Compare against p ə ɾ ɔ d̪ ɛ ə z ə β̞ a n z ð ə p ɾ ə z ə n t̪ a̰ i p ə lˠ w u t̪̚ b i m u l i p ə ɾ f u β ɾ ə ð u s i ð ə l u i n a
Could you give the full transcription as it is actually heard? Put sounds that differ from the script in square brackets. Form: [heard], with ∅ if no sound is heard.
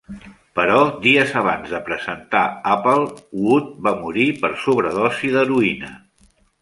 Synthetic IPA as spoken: p ə ɾ ɔ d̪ [i] ə z ə β̞ a n z ð ə p ɾ ə z ə n t̪ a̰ [a] p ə lˠ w u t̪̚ b [a] m u [ɾ] i p ə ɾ [s] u β ɾ ə ð [ɔ] s i ð ə [ɾ] u i n [ə]